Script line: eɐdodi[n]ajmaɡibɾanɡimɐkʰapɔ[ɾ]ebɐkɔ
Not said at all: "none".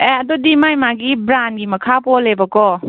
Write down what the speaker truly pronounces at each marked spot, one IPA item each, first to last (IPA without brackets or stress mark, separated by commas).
m, l